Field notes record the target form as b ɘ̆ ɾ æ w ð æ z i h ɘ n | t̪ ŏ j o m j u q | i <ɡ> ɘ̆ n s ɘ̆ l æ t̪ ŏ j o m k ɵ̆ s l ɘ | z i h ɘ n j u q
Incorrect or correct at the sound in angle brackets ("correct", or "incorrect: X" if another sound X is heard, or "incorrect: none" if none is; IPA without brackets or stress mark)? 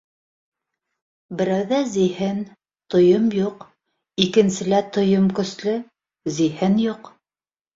incorrect: k